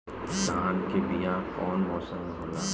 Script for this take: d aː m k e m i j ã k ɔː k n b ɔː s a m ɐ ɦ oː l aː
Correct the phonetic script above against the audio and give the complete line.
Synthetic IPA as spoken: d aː n k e b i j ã k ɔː n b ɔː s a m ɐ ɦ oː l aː